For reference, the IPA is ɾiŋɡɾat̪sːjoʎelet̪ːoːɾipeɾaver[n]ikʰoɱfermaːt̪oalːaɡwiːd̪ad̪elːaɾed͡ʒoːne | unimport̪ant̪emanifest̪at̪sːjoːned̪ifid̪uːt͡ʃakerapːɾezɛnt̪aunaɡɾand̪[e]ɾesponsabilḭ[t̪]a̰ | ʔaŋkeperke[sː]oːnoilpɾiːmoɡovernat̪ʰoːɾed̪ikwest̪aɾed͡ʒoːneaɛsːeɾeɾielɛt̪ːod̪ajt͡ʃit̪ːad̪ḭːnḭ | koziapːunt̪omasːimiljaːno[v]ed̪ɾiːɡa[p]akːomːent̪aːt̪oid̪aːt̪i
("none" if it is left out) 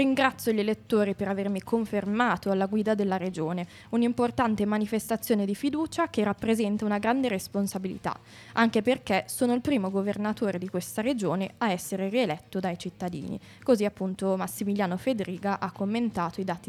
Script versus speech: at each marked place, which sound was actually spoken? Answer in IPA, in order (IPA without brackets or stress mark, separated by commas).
m, e, t̪, s, f, ʔ